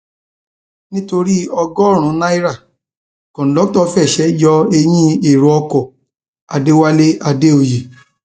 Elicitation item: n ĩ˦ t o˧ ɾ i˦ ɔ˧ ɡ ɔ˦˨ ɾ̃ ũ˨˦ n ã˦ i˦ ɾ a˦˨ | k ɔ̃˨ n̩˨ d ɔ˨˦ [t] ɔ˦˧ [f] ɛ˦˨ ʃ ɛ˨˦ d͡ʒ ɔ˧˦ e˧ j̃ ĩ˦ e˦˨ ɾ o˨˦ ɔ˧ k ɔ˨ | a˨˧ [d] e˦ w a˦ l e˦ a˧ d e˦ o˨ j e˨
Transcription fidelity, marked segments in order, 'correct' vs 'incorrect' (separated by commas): correct, correct, correct